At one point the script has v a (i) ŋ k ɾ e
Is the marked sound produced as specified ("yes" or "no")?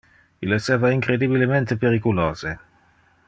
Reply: yes